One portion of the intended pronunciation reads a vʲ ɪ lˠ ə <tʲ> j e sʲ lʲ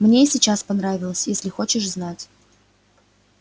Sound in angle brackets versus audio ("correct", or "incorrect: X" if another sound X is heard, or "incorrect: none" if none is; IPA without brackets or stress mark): incorrect: sʲ